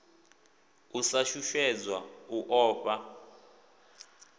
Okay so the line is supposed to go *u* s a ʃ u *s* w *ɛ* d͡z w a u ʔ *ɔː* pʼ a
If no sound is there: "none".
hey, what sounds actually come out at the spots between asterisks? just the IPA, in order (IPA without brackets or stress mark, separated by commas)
u, ʃ, ɛ, ɔː